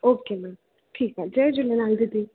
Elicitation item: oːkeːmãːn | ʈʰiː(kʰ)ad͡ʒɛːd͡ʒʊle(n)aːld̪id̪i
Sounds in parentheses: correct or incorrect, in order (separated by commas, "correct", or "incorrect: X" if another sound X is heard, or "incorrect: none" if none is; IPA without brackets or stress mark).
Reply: incorrect: k, correct